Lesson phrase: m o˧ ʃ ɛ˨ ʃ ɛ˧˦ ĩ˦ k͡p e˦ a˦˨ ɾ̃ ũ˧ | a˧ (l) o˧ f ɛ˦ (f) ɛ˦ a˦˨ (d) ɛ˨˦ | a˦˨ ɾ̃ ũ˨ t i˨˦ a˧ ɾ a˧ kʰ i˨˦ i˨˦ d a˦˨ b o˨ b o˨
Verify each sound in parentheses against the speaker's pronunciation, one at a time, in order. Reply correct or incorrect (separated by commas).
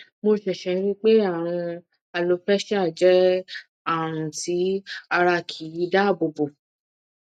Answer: correct, incorrect, incorrect